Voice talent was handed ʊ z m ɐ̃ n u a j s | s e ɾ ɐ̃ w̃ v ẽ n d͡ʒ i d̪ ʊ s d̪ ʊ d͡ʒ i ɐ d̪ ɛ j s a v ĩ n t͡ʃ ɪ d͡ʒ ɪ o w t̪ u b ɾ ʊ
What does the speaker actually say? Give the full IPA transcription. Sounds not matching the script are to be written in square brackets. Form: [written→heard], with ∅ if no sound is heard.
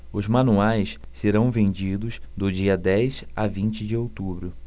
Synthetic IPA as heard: ʊ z m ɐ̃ n u a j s | s e ɾ ɐ̃ w̃ v ẽ n d͡ʒ i d̪ ʊ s d̪ ʊ d͡ʒ i ɐ d̪ ɛ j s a v ĩ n t͡ʃ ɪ d͡ʒ ɪ o w t̪ u b ɾ ʊ